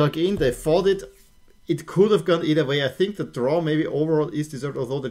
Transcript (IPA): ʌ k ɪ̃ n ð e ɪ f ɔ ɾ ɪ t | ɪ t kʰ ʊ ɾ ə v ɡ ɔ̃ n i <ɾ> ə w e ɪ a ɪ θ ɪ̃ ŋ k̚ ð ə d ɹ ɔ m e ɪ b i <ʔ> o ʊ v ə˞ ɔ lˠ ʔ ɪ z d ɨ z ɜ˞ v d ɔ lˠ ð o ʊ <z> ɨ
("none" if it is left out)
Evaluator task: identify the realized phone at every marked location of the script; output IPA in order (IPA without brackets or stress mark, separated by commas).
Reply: ɾ, ʔ, ð